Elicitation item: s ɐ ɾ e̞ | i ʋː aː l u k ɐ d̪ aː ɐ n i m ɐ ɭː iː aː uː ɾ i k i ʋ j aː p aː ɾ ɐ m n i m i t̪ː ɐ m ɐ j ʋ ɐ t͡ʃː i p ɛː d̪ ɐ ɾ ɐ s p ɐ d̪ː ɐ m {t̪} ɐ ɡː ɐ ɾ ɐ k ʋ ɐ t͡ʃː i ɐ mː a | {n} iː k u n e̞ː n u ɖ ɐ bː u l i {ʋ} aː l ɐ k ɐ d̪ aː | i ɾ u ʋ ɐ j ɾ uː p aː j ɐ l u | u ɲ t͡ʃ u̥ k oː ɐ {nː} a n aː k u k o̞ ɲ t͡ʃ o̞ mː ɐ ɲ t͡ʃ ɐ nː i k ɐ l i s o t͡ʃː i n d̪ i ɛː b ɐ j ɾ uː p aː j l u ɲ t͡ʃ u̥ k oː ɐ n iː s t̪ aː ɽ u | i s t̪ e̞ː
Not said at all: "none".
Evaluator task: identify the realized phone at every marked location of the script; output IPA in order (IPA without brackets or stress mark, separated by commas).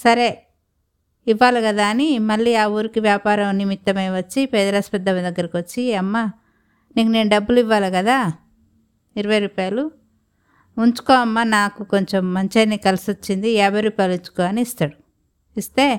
d̪, n, ʋː, mː